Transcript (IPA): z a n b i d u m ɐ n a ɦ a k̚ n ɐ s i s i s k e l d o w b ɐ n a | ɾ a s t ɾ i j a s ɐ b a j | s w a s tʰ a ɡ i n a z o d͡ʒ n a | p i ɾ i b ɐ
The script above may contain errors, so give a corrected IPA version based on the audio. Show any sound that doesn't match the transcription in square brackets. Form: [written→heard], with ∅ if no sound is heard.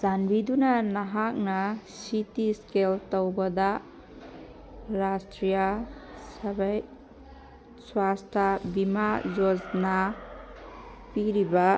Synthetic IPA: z a n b i d u [m→n] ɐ n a ɦ a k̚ n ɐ s i [s→t] i s k e l [d→t] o w b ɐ [n→d] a | ɾ a s t ɾ i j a s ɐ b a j | s w a s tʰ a [ɡ→b] i [n→m] a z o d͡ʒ n a | p i ɾ i b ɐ